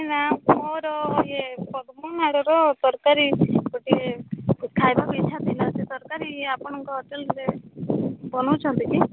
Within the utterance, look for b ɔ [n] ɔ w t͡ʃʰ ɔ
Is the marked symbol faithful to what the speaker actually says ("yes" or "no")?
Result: yes